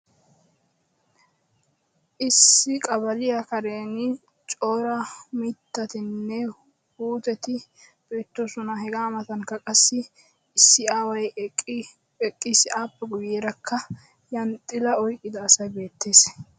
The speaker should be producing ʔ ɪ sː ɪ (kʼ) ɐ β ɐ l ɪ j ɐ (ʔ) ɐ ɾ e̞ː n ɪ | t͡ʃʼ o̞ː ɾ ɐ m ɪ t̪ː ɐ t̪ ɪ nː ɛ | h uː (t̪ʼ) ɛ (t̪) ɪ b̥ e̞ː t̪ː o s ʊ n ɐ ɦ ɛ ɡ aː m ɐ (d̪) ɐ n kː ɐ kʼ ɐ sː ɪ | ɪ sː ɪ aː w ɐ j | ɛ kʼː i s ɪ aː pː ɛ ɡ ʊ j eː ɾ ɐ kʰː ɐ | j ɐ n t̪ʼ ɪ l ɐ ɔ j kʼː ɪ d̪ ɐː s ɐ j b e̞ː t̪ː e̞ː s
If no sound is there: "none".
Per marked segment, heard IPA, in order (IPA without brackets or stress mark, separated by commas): kʼ, k, t̪, t̪, t̪